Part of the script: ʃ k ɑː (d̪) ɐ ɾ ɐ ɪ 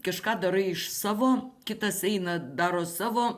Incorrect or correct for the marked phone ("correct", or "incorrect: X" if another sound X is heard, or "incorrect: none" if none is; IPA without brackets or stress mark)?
correct